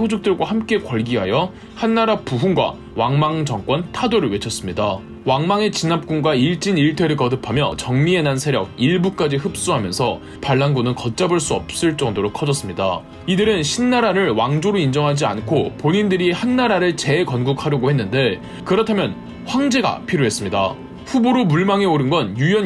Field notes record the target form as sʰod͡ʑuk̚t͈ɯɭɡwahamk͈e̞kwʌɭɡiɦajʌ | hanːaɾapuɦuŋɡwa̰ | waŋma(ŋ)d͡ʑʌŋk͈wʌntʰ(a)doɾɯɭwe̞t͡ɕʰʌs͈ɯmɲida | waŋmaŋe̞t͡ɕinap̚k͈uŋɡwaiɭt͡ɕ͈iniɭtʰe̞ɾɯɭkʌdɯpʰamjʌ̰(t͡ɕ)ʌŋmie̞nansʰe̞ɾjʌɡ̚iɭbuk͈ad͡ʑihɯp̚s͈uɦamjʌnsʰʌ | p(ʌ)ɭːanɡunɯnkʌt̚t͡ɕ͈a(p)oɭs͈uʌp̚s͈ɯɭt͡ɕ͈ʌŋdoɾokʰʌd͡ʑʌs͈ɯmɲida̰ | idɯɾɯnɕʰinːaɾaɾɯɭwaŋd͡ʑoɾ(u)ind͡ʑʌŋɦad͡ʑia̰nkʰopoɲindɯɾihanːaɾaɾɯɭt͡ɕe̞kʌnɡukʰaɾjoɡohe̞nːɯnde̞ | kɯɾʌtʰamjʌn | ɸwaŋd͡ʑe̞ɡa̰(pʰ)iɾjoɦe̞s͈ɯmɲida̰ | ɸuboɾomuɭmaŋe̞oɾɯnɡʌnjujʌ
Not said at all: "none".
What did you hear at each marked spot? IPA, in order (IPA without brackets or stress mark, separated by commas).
ŋ, a, t͡ɕ, a, b, o, pʰ